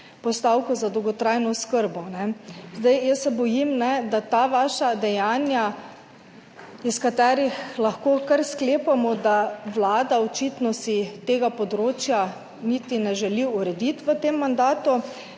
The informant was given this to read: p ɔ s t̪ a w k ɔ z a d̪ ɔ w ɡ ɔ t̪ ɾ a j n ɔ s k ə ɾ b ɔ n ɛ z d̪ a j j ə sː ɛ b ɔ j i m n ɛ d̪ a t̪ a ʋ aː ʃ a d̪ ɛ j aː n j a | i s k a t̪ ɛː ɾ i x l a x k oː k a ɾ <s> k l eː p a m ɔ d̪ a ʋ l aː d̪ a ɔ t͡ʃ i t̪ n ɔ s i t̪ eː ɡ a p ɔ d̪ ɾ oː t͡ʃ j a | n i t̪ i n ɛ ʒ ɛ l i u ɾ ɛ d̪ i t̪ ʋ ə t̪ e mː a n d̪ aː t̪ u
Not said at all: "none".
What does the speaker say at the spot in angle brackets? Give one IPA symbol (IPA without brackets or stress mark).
s